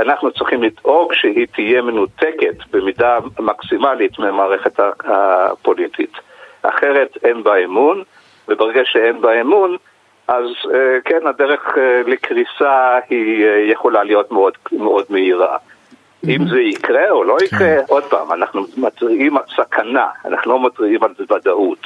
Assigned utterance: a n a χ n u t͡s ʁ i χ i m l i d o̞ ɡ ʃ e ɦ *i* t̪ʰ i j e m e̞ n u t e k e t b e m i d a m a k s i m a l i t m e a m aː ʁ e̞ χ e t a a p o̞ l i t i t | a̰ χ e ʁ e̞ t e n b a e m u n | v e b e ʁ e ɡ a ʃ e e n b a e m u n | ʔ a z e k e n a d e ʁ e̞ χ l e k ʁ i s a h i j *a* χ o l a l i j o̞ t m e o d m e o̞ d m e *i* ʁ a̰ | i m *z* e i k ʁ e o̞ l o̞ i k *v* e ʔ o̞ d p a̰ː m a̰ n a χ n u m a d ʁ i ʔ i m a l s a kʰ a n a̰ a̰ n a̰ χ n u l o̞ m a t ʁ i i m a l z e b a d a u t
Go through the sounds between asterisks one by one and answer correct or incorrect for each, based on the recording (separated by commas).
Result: correct, incorrect, correct, correct, incorrect